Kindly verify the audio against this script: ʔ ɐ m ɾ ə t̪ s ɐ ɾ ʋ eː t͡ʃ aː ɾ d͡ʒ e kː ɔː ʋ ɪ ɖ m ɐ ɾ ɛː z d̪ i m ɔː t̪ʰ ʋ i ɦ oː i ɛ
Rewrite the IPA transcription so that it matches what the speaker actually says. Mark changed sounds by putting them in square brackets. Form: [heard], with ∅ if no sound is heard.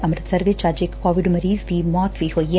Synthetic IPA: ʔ ɐ m ɾ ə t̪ s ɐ ɾ ʋ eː t͡ʃ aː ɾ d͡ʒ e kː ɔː ʋ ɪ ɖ m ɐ ɾ [iː] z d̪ i m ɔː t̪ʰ ʋ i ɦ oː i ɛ